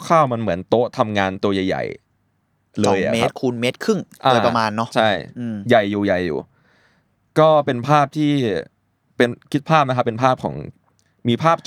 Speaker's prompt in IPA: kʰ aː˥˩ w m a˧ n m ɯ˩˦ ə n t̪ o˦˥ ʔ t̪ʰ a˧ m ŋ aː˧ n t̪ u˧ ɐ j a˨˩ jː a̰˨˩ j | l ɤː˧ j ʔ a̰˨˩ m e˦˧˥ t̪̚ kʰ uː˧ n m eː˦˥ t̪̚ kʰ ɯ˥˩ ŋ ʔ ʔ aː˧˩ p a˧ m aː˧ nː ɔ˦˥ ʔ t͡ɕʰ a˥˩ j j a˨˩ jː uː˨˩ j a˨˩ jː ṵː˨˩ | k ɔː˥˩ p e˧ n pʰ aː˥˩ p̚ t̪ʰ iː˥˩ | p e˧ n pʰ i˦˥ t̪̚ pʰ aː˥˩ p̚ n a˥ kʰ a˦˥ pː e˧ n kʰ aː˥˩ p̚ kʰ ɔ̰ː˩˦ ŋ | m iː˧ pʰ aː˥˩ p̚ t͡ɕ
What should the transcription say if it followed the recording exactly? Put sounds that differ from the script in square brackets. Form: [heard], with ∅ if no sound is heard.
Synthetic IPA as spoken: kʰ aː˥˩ w m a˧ n m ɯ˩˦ ə n t̪ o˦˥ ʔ t̪ʰ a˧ m ŋ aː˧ n t̪ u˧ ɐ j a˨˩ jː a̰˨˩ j | l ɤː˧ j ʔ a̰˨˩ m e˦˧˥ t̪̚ kʰ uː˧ n m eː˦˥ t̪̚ kʰ ɯ˥˩ ŋ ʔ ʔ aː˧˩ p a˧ m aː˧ nː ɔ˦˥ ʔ t͡ɕʰ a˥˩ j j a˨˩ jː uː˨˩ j a˨˩ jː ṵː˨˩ | k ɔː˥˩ p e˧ n pʰ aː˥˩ p̚ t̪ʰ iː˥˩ | p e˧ n [kʰ] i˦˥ t̪̚ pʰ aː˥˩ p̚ n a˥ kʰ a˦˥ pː e˧ n [pʰ] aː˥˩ p̚ kʰ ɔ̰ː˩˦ ŋ | m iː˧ pʰ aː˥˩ p̚ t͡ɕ